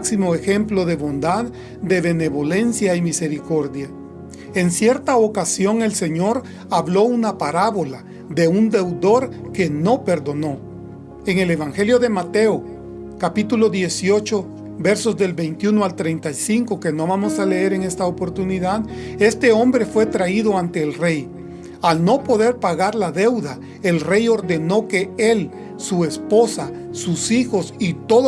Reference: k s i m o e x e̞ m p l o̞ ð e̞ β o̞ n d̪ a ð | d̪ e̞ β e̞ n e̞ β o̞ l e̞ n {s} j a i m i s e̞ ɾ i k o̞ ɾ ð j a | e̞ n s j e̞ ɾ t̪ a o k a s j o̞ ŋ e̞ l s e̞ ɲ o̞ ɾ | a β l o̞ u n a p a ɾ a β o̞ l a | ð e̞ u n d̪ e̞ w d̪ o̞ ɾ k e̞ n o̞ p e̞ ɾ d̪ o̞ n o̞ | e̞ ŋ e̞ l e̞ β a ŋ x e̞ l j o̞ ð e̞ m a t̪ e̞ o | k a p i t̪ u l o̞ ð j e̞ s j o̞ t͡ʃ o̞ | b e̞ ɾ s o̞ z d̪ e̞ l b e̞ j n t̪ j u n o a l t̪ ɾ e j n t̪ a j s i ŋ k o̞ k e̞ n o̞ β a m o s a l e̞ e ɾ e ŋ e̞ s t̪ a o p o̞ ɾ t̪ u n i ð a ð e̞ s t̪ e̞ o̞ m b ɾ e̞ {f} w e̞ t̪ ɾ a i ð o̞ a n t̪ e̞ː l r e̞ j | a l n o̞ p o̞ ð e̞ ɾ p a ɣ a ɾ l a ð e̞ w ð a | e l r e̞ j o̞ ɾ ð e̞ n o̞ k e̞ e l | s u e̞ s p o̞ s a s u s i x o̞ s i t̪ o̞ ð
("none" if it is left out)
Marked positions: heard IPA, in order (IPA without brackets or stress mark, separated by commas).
s, f